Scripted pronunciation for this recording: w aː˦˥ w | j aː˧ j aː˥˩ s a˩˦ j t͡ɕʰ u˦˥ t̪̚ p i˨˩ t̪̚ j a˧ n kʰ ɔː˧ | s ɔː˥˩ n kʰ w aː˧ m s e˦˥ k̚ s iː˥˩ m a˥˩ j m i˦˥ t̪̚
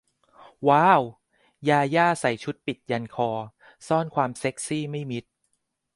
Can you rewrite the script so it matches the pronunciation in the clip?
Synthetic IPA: w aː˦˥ w | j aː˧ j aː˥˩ s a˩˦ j t͡ɕʰ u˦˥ t̪̚ p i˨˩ t̪̚ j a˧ n kʰ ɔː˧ | s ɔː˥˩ n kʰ w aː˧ m s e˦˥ k̚ s iː˥˩ m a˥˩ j m i˦˥ t̪̚